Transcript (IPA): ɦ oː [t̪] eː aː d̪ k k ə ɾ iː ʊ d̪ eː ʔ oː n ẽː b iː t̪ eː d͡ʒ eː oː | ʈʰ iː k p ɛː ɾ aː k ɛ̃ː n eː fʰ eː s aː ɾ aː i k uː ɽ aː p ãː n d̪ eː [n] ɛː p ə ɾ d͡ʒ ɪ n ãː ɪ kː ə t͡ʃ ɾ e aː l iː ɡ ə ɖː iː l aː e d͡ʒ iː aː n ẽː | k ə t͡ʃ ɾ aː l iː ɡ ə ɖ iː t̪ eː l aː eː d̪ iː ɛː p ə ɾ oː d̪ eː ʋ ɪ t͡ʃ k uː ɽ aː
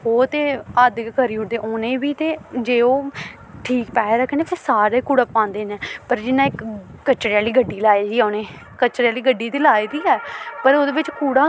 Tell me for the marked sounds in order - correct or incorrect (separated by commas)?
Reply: correct, correct